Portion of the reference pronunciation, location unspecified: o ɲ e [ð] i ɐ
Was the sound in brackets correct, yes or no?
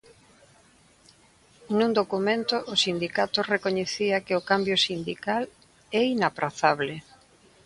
no